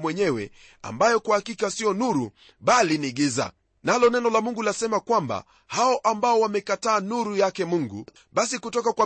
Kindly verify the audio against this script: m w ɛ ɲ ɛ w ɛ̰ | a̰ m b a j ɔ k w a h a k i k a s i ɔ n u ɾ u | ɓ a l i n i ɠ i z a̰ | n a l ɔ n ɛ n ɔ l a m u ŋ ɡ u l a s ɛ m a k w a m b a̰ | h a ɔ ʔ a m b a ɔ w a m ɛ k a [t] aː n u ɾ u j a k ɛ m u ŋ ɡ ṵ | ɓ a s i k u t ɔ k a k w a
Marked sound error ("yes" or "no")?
no